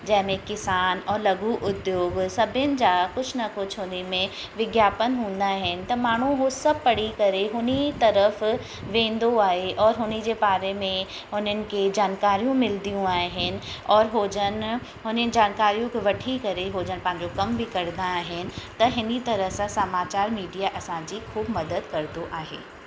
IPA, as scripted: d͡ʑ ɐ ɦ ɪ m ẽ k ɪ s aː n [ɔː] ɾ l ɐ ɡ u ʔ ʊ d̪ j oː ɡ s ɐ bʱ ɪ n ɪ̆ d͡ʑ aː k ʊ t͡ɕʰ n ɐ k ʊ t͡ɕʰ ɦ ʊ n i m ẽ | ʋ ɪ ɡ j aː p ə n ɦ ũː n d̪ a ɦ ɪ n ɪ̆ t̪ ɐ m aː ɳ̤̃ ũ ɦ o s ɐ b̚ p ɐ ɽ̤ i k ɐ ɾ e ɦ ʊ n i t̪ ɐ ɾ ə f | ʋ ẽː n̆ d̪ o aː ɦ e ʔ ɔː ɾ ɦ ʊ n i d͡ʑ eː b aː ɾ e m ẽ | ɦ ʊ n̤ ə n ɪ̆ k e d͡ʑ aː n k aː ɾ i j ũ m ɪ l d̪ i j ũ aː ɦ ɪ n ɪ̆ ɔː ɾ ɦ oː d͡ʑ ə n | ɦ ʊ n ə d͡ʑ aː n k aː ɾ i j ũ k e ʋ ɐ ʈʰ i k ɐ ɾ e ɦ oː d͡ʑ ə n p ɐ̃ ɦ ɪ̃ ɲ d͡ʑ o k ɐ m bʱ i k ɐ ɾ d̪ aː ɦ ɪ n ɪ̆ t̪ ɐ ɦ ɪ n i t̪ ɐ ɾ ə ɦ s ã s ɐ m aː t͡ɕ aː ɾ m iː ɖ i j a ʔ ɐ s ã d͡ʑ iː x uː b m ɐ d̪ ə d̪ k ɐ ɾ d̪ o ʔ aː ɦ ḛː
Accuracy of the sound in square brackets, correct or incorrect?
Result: correct